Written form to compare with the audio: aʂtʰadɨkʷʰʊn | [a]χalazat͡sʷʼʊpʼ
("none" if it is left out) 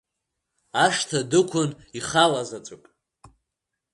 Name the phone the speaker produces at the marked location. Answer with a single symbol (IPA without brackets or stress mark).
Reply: i